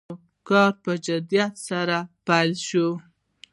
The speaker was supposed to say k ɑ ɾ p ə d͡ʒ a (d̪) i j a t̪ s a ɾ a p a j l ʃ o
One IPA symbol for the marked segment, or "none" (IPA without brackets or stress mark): d̪